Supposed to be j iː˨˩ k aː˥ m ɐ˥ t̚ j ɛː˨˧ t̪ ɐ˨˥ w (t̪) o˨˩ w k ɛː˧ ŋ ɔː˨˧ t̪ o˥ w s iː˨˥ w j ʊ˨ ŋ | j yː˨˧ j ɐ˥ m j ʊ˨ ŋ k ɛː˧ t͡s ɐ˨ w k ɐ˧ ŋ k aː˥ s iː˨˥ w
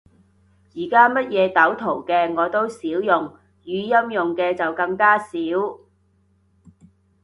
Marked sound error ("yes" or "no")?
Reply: yes